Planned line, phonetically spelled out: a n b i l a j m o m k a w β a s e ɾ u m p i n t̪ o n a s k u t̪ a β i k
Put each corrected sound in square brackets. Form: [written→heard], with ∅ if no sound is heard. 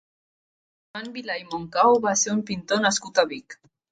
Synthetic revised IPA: a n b i l a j m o [m→ŋ] k a w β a s e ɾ u m p i n t̪ o n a s k u t̪ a β i k